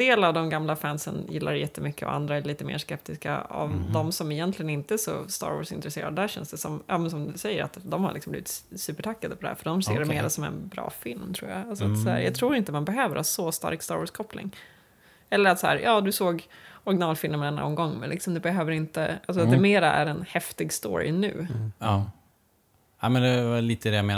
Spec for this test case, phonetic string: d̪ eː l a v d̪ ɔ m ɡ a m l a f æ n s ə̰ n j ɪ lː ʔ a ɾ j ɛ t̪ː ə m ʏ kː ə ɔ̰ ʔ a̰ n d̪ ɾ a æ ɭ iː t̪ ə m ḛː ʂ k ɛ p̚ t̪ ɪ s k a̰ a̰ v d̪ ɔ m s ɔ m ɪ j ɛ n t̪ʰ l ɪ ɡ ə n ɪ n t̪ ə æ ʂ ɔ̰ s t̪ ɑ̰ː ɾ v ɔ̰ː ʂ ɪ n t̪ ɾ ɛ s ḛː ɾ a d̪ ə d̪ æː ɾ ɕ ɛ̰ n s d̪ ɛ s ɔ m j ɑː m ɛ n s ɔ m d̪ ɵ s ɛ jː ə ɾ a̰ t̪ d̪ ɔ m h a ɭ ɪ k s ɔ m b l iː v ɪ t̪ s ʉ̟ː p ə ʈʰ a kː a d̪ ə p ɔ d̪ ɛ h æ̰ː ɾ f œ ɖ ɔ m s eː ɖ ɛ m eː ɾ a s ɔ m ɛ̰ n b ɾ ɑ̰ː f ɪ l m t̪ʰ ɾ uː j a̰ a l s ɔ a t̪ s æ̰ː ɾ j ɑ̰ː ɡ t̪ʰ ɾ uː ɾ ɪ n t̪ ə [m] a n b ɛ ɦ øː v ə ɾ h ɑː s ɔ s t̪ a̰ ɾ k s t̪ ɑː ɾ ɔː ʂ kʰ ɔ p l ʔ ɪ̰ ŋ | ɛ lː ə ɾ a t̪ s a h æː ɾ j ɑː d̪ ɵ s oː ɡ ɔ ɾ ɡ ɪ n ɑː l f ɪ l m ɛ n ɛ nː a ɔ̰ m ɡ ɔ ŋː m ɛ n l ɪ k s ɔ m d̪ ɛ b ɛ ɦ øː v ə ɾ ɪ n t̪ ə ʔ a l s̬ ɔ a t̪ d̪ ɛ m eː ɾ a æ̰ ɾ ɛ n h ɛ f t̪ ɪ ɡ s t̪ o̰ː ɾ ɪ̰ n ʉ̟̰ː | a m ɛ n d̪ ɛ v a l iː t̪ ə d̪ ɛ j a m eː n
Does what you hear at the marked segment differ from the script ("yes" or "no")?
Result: no